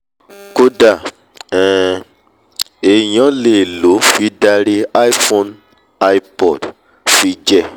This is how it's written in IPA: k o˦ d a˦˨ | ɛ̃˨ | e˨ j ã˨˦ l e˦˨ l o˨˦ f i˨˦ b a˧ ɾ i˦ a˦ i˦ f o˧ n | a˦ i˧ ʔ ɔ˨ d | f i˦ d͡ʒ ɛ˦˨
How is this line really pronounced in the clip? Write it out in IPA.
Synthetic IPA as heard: k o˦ d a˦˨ | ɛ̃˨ | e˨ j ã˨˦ l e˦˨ l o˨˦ f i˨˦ d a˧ ɾ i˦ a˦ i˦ f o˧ n | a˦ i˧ p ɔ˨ d | f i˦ d͡ʒ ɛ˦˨